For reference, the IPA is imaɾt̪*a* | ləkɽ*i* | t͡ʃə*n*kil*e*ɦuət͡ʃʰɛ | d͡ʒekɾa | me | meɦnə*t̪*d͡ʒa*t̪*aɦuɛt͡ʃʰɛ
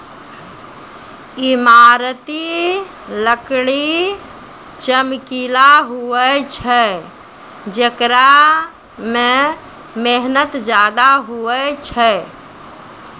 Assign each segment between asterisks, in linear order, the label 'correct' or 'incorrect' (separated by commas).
incorrect, correct, incorrect, incorrect, correct, incorrect